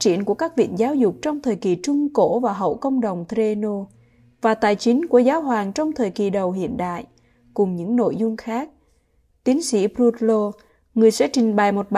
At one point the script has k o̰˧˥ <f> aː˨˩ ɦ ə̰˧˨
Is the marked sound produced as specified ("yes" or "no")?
no